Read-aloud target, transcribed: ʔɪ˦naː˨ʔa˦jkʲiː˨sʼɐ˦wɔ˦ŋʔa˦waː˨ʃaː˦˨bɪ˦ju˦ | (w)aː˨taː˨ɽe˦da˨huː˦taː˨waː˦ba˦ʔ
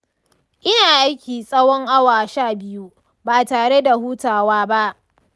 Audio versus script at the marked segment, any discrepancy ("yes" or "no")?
yes